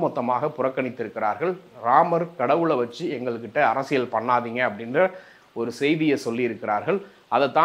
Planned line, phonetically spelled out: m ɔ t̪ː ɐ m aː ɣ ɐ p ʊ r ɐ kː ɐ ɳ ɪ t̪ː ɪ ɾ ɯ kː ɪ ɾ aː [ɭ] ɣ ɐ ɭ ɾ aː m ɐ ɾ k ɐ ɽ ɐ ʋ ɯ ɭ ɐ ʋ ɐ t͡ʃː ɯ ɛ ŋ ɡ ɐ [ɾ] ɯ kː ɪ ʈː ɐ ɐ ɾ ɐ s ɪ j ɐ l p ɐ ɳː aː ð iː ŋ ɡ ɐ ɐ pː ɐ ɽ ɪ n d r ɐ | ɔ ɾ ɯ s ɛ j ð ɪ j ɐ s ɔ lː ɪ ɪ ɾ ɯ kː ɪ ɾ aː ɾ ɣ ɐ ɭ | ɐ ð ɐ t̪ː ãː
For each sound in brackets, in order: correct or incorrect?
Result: incorrect: ɾ, incorrect: ɭ

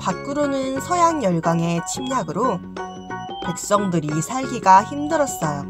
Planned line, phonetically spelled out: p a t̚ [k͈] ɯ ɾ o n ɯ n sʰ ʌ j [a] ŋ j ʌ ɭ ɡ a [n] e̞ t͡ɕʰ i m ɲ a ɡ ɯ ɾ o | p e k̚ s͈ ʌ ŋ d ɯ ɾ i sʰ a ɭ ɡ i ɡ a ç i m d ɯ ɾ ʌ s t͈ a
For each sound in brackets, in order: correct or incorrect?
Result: correct, correct, incorrect: ŋ

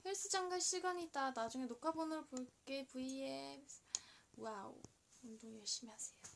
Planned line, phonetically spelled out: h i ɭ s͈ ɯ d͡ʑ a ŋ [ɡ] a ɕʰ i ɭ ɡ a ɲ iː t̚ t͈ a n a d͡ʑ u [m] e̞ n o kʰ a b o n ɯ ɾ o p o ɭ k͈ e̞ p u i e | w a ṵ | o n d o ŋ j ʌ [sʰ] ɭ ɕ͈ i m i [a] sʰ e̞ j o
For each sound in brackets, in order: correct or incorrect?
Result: correct, incorrect: ŋ, incorrect: none, correct

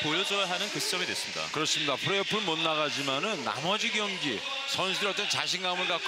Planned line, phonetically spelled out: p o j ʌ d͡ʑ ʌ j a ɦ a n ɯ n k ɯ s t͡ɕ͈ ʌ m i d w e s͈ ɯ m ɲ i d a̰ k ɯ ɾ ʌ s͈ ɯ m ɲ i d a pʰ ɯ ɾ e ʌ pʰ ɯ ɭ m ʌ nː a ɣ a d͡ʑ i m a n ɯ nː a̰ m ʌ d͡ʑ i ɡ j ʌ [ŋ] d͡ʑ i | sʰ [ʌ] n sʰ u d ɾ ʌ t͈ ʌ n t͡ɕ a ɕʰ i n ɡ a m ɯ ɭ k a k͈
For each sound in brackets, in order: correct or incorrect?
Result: correct, correct

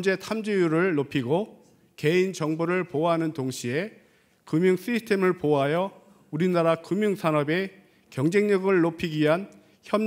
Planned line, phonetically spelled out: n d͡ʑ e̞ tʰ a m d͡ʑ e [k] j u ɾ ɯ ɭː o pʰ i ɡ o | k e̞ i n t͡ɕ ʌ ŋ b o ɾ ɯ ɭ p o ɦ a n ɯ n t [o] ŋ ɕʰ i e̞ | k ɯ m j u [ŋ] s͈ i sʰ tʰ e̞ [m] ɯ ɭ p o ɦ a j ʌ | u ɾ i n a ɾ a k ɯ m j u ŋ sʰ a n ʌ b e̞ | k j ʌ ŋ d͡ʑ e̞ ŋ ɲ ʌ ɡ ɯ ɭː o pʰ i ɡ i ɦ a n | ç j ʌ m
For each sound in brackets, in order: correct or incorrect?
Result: incorrect: none, correct, correct, correct

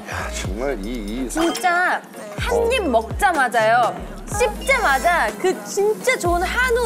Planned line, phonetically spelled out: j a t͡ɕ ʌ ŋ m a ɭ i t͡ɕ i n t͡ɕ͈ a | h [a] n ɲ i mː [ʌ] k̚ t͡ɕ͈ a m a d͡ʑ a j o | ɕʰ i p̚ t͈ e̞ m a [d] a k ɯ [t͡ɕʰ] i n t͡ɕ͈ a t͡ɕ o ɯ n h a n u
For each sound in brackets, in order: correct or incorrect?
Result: correct, correct, incorrect: d͡ʑ, incorrect: t͡ɕ

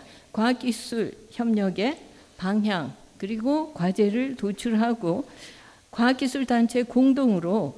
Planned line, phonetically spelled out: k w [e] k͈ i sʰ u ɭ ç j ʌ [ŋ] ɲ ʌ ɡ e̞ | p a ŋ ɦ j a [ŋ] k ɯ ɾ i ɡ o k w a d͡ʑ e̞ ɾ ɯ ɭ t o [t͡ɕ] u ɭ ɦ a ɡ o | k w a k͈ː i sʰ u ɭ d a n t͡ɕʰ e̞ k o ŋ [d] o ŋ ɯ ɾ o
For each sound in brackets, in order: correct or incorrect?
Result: incorrect: a, incorrect: m, correct, incorrect: t͡ɕʰ, correct

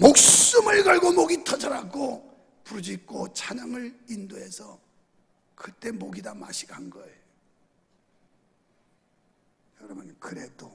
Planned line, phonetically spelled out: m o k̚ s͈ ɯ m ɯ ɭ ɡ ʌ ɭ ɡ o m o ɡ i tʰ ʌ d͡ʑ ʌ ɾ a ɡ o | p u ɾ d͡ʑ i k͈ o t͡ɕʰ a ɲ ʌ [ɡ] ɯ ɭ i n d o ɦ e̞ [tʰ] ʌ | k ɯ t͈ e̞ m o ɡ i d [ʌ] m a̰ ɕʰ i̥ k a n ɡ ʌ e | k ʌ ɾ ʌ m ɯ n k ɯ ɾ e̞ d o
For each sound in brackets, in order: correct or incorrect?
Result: incorrect: ŋ, incorrect: sʰ, incorrect: a

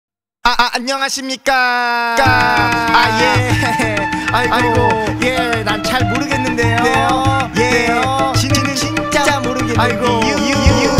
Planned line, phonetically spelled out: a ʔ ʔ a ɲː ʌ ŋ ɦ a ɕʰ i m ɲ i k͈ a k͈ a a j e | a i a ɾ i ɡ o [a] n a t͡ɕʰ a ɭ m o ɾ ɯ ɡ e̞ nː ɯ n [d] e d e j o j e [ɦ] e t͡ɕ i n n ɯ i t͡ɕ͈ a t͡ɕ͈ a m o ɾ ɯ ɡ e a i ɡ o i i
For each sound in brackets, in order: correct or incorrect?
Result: incorrect: e, correct, incorrect: none

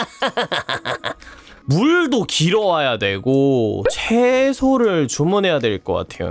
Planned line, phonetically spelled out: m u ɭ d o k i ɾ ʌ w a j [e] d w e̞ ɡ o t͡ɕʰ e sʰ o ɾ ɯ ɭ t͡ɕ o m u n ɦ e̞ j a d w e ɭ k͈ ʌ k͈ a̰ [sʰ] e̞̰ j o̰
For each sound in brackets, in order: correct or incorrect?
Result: incorrect: a, incorrect: tʰ

